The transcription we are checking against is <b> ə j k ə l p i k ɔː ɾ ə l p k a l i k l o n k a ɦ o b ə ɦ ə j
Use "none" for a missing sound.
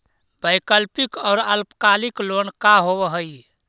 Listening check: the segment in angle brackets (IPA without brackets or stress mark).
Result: b